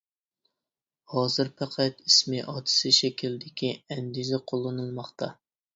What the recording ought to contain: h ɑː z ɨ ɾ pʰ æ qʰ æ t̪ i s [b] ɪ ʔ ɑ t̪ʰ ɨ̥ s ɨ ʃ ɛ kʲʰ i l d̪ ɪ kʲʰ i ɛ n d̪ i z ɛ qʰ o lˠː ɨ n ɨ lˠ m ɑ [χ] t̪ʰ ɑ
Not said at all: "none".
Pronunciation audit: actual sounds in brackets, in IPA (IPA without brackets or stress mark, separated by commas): m, χ